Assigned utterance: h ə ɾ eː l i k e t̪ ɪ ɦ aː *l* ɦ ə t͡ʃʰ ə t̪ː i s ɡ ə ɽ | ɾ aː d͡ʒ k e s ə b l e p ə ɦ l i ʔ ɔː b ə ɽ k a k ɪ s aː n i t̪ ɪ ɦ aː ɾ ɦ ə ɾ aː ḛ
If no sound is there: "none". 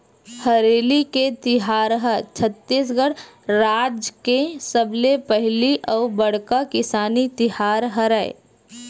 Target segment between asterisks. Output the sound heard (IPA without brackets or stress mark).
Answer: ɾ